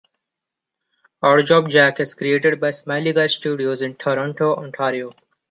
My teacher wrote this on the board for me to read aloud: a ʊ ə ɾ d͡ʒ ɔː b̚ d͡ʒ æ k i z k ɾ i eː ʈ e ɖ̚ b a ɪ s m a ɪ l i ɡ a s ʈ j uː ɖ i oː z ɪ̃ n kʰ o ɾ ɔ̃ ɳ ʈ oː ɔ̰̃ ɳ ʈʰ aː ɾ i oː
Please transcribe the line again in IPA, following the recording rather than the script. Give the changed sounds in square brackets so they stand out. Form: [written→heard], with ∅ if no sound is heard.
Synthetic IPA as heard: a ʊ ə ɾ d͡ʒ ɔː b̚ d͡ʒ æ k [i→ɪ] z k ɾ i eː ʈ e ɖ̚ b a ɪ s m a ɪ l i ɡ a s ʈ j uː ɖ i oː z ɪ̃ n [kʰ→ʈʰ] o ɾ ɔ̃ ɳ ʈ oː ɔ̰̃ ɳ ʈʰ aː ɾ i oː